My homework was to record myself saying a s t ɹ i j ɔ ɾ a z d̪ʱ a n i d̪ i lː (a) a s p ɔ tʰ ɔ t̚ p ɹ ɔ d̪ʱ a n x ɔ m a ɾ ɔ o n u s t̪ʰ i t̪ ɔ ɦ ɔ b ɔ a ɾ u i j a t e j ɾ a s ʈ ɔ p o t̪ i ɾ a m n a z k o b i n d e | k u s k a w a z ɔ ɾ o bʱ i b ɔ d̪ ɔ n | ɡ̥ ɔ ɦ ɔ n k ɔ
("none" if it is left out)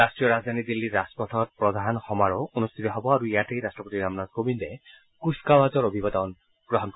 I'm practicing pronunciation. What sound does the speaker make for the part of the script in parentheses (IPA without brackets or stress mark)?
i